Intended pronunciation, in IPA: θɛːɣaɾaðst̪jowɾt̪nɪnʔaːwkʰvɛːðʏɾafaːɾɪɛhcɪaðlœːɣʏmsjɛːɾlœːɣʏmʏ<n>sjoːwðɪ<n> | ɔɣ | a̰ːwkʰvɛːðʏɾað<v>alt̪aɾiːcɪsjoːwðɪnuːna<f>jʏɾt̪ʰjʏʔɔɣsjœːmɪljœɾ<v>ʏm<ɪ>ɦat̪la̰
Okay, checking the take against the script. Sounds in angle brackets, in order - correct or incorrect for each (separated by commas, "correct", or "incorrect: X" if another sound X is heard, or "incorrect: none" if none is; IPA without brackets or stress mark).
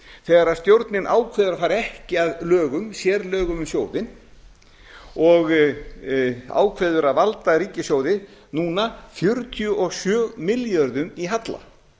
incorrect: m, correct, correct, correct, incorrect: ð, incorrect: i